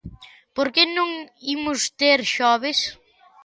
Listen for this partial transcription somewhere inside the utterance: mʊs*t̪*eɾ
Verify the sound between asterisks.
correct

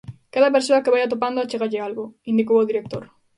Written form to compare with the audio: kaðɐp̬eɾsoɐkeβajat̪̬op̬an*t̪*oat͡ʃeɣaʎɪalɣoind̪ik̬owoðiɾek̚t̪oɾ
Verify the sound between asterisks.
incorrect: d̪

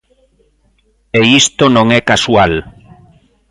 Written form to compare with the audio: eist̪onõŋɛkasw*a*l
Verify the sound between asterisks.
correct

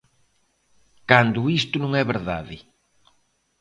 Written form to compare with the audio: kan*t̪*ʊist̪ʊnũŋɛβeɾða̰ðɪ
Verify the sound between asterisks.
incorrect: d̪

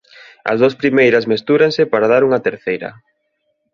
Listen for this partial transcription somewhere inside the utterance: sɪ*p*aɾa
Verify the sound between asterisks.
correct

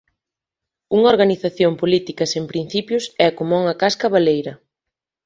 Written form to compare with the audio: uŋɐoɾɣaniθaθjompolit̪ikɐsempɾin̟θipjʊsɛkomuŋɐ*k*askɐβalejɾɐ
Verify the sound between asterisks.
correct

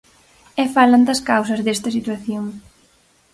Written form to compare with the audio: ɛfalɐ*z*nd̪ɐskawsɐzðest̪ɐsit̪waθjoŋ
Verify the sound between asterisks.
incorrect: none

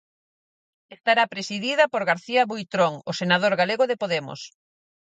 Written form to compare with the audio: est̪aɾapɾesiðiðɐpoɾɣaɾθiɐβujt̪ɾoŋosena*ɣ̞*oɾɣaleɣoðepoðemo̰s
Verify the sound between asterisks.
incorrect: ð̞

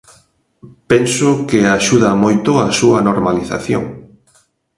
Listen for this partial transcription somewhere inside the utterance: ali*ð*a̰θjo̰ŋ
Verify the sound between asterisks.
incorrect: θ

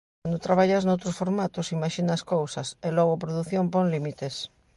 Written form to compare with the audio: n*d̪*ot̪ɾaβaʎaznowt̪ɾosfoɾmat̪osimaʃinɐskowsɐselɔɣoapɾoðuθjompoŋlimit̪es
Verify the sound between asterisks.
correct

